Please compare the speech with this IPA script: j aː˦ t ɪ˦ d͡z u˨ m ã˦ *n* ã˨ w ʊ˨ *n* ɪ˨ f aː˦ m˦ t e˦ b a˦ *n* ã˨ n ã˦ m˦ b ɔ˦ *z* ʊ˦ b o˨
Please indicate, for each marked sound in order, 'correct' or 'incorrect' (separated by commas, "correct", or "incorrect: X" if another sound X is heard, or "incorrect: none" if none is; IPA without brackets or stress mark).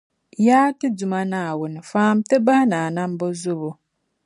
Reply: correct, correct, correct, correct